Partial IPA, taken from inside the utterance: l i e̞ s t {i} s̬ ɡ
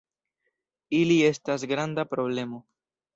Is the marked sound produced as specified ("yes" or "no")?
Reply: no